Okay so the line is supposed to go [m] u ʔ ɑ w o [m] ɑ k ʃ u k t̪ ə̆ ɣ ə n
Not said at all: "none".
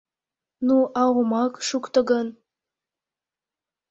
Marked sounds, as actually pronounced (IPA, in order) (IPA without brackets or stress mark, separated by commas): n, m